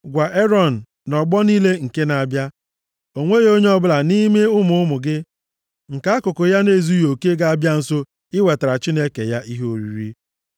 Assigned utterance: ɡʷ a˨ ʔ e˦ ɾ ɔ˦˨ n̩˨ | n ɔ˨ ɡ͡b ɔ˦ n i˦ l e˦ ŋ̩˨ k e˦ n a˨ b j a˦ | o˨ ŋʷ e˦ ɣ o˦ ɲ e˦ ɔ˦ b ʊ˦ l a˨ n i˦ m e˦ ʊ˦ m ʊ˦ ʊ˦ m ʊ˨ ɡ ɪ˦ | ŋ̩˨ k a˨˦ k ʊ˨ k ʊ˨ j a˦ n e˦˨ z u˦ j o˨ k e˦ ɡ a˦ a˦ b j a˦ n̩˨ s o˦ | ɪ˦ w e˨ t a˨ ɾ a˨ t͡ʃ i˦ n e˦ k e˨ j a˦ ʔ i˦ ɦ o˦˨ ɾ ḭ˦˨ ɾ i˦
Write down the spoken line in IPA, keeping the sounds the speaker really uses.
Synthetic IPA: ɡʷ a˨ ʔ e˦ ɾ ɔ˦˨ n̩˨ | n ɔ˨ ɡ͡b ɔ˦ n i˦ l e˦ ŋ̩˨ k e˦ n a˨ b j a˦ | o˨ ŋʷ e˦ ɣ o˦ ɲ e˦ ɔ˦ b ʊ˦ l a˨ n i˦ m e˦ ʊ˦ m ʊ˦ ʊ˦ m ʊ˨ ɡ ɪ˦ | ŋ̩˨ k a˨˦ k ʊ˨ k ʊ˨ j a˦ n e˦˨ z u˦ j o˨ k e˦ ɡ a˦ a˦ b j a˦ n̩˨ s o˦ | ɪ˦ w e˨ t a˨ ɾ a˨ t͡ʃ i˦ n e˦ k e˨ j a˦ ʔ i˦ ɦ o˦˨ ɾ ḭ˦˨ ɾ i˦